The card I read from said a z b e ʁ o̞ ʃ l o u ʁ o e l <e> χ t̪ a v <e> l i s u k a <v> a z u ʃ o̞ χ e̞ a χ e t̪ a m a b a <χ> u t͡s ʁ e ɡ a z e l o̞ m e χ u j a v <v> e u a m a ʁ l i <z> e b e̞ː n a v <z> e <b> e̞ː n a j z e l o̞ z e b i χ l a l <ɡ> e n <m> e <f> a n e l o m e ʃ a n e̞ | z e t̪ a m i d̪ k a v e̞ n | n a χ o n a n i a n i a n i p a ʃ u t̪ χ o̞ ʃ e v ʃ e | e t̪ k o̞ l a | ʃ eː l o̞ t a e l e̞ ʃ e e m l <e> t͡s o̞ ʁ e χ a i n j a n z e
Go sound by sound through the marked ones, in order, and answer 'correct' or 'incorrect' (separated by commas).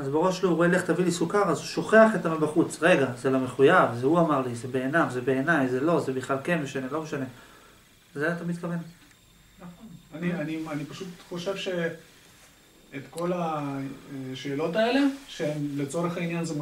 correct, incorrect, incorrect, correct, incorrect, correct, correct, correct, incorrect, correct, incorrect, correct